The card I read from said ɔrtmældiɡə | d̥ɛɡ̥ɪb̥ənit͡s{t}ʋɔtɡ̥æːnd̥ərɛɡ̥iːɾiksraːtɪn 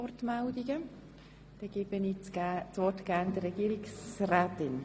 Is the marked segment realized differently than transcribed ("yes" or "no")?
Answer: yes